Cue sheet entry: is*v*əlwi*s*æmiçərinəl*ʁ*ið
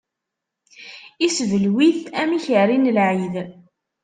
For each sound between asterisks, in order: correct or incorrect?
correct, incorrect: θ, incorrect: ʕ

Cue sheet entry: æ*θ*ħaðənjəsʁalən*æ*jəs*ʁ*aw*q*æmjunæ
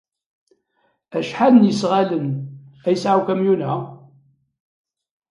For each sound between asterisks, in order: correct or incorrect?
incorrect: ʃ, correct, incorrect: ʕ, incorrect: k

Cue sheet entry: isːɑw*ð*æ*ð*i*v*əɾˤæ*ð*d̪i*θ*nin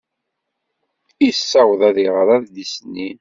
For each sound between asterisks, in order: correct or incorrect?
correct, correct, incorrect: ʁ, correct, incorrect: s

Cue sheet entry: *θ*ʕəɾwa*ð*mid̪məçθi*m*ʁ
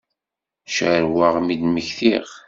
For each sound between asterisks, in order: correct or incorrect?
incorrect: ʃ, incorrect: ʁ, incorrect: none

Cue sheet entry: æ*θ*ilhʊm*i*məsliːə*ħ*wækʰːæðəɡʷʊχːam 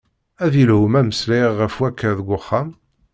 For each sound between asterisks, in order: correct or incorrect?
incorrect: ð, incorrect: æ, incorrect: f

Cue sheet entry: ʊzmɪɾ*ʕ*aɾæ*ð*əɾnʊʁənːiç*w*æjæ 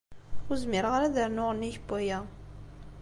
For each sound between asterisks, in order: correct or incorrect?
incorrect: ʁ, correct, incorrect: b

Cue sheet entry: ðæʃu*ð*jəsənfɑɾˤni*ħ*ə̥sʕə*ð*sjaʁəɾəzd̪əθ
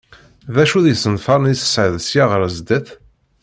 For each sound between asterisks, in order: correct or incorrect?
correct, incorrect: s, correct

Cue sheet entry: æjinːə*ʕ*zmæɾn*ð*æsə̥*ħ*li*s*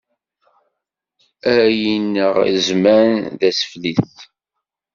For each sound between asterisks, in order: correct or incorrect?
incorrect: ʁ, correct, incorrect: f, incorrect: θ

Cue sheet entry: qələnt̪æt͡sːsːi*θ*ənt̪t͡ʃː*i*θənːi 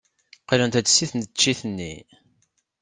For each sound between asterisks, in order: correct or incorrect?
correct, correct

